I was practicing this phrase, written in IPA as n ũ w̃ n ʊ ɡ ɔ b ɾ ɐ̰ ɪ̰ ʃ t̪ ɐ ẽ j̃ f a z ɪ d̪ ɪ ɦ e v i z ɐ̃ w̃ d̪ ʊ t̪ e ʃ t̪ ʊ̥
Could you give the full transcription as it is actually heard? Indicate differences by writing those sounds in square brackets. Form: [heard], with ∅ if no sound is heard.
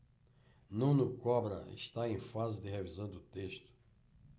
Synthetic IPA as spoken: n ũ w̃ n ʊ [k] ɔ b ɾ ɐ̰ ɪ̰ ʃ t̪ [a] ẽ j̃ f a z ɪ d̪ ɪ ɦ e v i z ɐ̃ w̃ d̪ ʊ t̪ e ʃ t̪ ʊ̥